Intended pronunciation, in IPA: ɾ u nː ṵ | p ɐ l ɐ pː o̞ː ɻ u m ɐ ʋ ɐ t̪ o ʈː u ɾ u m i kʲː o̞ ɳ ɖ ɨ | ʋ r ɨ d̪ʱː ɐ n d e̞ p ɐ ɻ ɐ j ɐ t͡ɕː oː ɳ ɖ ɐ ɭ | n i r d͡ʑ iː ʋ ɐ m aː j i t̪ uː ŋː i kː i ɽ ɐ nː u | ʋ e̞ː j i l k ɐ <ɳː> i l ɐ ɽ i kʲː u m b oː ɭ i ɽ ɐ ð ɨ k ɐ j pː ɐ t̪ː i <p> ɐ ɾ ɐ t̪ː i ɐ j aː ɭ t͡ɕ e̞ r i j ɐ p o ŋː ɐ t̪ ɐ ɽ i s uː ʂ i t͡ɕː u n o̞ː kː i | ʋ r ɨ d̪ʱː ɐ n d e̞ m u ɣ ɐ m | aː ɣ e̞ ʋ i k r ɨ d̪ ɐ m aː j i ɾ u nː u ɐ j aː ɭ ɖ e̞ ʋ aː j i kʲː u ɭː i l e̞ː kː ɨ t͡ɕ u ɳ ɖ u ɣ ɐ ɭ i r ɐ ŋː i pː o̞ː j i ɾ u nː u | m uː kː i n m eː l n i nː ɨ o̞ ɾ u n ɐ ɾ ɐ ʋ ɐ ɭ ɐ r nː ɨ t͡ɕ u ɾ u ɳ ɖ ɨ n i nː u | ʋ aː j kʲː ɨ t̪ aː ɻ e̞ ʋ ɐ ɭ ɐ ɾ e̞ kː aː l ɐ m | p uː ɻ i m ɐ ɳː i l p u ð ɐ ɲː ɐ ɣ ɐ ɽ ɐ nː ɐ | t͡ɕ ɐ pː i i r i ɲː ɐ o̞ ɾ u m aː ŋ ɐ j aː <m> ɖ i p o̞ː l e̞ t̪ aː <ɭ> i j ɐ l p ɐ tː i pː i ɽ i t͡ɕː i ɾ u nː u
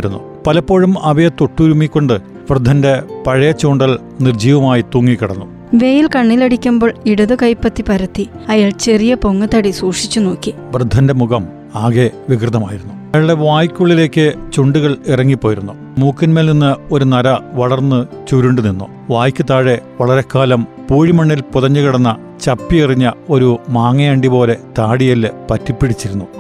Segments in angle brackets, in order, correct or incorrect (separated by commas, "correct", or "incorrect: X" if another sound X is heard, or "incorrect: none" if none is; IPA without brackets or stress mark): correct, correct, incorrect: ɳ, incorrect: ɽ